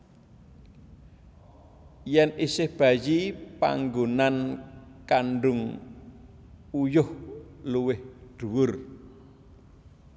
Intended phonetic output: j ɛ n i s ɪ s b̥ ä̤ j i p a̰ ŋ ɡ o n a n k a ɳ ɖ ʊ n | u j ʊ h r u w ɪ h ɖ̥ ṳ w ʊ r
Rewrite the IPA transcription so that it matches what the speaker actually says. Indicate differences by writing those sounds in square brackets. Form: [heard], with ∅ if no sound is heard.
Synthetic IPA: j ɛ n i s ɪ [h] b̥ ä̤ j i p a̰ ŋ ɡ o n a n k a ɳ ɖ ʊ [ŋ] | u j ʊ h [l] u w ɪ h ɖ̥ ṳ w ʊ r

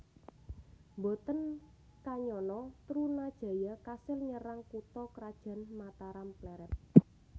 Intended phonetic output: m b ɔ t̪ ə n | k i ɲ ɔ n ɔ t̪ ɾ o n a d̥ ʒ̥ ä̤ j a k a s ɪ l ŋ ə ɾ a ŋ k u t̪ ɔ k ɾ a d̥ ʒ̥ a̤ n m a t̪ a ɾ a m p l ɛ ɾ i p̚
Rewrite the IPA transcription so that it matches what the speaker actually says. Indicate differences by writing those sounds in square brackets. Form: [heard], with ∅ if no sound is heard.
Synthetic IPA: m b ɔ t̪ ə n | k [a] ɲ ɔ n ɔ t̪ ɾ [u] n a d̥ ʒ̥ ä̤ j a k a s ɪ l [ɲ] ə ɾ a ŋ k u t̪ ɔ k ɾ a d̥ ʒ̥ a̤ n m a t̪ a ɾ a m p l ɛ ɾ [ɛ] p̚

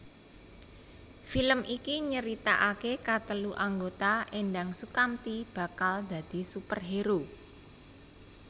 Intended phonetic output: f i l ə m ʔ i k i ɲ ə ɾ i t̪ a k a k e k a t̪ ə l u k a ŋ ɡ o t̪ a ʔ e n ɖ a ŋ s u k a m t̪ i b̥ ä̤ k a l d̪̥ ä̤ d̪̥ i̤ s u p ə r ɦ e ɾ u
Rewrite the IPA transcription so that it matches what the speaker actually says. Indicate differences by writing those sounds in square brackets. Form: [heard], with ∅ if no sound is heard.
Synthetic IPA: f i l ə m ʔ i k i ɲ ə ɾ i t̪ a [ʔ] a k e k a t̪ ə l u [ʔ] a ŋ ɡ o t̪ a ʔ e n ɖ a ŋ s u k a m t̪ i b̥ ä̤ k a l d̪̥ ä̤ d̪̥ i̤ s u p ə r ɦ e ɾ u

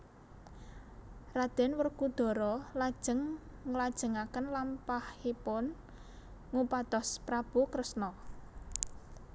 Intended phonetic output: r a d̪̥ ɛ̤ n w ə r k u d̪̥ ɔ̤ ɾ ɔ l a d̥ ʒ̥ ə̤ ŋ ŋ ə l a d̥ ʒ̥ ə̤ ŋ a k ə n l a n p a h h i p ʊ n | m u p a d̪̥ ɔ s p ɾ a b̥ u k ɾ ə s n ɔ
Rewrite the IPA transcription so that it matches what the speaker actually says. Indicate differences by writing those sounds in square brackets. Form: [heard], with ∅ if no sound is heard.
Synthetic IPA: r a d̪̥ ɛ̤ n w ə r k u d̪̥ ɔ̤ ɾ ɔ l a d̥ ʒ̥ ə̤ ŋ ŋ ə l a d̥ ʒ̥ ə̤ ŋ a k ə n l a [m] p a h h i p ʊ n | [ŋ] u p a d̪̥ ɔ s p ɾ a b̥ u k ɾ ə s n ɔ

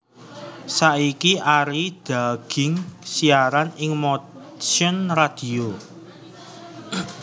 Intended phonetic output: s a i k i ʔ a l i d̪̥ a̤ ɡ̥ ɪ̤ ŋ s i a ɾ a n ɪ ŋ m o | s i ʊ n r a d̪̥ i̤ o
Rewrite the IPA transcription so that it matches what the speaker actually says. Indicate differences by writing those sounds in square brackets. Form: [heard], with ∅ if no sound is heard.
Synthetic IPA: s a i k i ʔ a [ɾ] i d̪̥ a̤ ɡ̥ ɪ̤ ŋ s i a ɾ a n ɪ ŋ m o | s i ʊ n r a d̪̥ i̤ o

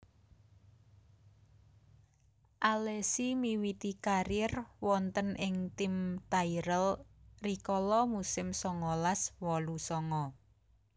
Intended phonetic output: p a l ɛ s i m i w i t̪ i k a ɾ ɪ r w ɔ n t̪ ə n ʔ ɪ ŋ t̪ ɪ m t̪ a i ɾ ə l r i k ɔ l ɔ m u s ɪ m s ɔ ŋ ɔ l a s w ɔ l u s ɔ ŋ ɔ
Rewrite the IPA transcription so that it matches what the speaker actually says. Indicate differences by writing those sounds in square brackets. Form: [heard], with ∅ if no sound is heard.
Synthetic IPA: [ʔ] a l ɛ s i m i w i t̪ i k a ɾ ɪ r w ɔ n t̪ ə n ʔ ɪ ŋ t̪ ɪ m t̪ a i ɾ ə l r i k ɔ l ɔ m u s ɪ m s ɔ ŋ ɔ l a s w ɔ l u s ɔ ŋ ɔ

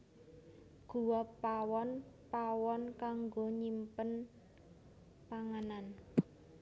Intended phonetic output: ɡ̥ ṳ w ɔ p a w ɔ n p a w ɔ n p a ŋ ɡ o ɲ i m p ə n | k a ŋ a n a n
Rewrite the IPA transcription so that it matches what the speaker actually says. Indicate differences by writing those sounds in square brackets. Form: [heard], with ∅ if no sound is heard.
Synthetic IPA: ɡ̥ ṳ w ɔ p a w ɔ n p a w ɔ n [k] a ŋ ɡ o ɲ i m p ə n | [p] a ŋ a n a n

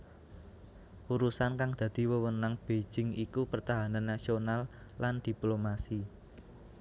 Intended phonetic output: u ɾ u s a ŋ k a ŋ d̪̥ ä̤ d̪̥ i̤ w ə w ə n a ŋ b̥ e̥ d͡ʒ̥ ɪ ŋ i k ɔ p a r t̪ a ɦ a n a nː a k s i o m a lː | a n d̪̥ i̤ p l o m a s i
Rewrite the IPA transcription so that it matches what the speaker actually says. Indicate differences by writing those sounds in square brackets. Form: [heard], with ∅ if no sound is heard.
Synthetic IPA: u ɾ u s a [n] k a ŋ d̪̥ ä̤ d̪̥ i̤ w ə w ə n a ŋ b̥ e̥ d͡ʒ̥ ɪ ŋ i k [u] p [ə] r t̪ a ɦ a n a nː a [∅] s i o [n] a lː | a n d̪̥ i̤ p l o m a s i

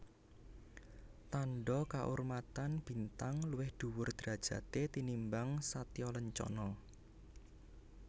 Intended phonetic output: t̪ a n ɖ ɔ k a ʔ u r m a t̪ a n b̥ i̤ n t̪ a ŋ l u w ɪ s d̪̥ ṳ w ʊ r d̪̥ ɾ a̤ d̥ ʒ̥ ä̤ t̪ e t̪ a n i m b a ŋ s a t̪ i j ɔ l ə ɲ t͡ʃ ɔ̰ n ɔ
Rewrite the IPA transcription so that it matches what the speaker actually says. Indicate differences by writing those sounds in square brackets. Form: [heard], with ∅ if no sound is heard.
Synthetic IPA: t̪ a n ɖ ɔ k a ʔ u r m a t̪ a n b̥ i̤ n t̪ a ŋ l u w ɪ [h] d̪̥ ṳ w ʊ r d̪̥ ɾ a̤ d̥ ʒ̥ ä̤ t̪ e t̪ [i] n i m b a ŋ s a t̪ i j ɔ l ə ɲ t͡ʃ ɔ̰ n ɔ

